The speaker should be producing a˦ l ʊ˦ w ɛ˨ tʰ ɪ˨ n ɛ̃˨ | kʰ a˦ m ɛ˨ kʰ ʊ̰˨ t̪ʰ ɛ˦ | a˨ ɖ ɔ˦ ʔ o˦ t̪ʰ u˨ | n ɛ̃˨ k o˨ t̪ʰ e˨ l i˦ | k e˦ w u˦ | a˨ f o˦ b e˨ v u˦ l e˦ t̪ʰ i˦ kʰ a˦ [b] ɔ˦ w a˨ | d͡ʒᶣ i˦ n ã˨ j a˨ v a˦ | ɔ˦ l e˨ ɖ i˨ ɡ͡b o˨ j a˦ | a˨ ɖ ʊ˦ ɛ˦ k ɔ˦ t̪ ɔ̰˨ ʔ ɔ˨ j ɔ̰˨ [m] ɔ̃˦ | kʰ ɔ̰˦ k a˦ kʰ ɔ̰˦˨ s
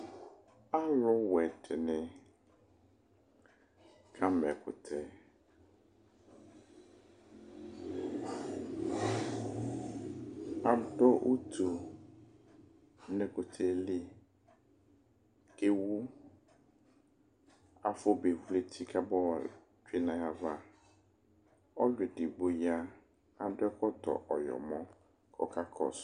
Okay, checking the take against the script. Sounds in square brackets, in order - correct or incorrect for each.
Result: correct, correct

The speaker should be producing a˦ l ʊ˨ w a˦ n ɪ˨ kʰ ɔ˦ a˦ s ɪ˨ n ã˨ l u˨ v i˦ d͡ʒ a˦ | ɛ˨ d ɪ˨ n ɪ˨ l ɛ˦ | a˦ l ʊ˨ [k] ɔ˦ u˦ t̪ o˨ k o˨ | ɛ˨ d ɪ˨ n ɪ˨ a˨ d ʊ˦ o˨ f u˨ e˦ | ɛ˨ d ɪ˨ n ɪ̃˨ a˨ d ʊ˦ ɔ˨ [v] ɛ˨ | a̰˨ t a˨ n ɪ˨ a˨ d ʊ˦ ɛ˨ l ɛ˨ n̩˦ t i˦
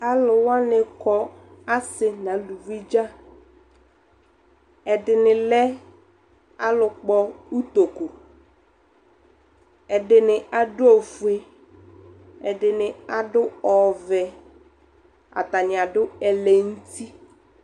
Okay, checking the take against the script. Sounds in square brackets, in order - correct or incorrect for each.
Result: incorrect: k͡p, correct

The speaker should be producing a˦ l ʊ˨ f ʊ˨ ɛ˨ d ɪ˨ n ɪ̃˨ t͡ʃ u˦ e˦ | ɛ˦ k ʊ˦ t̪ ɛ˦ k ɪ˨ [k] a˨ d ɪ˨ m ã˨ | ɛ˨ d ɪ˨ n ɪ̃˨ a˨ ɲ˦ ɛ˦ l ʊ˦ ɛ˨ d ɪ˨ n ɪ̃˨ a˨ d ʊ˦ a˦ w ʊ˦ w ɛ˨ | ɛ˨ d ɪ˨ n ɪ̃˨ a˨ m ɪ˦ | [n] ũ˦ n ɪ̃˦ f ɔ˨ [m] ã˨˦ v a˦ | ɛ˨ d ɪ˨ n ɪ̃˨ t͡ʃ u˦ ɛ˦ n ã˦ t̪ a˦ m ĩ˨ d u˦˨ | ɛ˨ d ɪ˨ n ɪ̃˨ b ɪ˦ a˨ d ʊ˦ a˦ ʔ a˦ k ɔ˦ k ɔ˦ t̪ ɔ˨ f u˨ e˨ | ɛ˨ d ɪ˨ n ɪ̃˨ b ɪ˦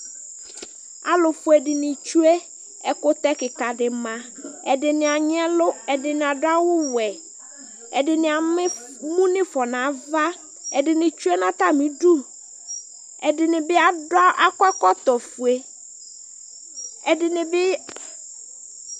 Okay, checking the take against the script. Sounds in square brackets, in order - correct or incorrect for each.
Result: correct, incorrect: m, incorrect: n

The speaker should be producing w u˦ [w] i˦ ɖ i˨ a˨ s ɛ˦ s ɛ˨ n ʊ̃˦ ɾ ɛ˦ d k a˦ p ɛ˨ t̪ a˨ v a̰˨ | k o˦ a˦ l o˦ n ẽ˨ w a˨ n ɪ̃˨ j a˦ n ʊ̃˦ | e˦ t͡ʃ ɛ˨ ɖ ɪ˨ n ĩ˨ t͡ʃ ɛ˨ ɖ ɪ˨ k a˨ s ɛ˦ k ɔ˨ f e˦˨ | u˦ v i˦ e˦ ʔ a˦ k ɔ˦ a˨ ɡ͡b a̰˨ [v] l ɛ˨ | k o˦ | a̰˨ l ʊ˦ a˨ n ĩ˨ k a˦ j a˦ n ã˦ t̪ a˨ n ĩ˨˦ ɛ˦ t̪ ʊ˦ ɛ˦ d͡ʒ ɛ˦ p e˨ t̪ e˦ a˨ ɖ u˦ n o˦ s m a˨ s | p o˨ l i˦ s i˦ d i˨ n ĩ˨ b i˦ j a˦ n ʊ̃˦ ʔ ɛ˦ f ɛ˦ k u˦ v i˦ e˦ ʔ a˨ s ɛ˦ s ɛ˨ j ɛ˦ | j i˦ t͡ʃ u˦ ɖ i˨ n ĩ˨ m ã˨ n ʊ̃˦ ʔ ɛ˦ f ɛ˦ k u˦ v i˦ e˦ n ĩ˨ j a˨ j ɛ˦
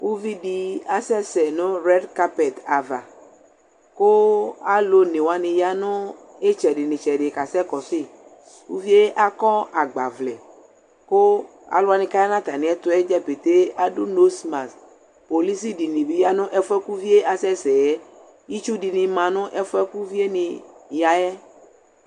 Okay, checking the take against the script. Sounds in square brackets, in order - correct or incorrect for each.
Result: incorrect: v, correct

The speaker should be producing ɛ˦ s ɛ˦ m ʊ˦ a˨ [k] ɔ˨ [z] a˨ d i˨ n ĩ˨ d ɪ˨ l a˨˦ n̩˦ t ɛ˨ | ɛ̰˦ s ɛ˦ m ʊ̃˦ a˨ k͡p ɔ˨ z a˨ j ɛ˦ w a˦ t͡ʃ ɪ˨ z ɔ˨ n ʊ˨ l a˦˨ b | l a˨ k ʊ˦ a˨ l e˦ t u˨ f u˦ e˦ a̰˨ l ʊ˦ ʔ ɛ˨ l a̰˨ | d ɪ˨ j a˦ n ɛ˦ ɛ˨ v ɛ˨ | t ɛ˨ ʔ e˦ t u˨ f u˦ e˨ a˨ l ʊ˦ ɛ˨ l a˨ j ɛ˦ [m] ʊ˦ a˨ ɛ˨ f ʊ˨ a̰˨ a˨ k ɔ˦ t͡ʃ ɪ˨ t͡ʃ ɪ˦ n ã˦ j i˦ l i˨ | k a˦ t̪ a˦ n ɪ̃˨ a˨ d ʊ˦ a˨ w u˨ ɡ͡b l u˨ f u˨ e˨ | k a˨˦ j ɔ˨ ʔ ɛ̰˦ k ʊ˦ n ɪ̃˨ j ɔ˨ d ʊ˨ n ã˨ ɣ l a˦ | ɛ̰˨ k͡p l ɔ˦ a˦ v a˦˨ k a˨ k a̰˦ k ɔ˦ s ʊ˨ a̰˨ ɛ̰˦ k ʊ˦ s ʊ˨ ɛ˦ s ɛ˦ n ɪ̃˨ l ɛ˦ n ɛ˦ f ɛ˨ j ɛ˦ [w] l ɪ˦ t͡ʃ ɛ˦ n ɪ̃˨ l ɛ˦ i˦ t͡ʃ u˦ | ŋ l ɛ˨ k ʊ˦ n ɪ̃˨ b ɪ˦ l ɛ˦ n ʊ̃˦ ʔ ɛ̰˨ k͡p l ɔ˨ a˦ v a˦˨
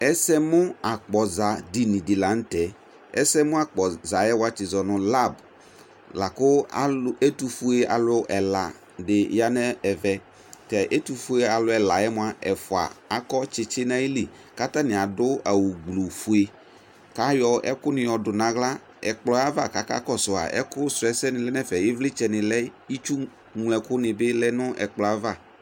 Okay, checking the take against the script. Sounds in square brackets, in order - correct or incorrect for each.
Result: incorrect: k͡p, correct, correct, incorrect: v

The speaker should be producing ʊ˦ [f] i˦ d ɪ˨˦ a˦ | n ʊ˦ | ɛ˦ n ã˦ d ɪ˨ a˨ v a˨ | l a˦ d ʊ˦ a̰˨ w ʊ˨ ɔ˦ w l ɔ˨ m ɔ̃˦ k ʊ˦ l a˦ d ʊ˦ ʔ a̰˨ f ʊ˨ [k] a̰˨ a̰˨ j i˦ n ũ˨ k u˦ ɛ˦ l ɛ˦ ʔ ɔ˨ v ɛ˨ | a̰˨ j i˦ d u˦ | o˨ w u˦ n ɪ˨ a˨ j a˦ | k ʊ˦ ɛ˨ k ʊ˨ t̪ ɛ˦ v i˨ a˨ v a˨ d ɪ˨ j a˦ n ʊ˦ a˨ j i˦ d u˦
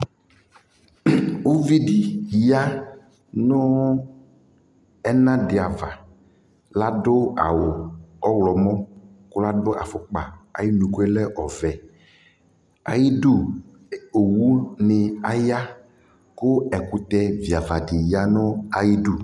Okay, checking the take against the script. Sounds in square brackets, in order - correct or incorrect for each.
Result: incorrect: v, incorrect: k͡p

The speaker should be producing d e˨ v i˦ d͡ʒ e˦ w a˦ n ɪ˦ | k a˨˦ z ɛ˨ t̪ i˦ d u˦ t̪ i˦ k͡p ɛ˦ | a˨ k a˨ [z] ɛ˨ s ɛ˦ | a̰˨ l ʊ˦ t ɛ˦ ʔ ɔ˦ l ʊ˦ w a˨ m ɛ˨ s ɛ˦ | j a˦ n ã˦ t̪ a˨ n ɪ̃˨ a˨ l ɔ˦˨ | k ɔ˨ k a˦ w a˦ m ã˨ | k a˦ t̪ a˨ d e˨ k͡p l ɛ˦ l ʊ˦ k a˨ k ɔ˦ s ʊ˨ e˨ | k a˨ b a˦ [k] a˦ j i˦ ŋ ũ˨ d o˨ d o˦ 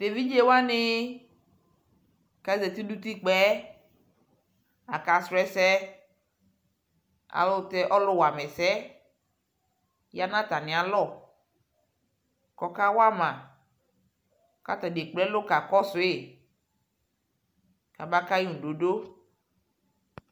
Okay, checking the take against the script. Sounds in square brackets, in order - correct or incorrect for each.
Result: incorrect: s, correct

